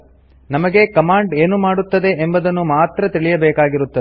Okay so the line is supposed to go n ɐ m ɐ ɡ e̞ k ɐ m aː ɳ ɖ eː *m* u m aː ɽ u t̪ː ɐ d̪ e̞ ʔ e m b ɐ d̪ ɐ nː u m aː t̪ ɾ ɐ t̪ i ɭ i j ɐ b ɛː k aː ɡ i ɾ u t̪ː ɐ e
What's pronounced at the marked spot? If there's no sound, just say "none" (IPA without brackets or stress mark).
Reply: n